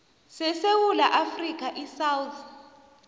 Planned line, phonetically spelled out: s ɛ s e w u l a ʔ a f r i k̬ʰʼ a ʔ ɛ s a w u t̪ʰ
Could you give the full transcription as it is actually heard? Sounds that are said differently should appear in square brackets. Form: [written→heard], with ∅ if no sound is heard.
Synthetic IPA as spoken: s ɛ s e w u l a ʔ a f r i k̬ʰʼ a ʔ [ɛ→i] s a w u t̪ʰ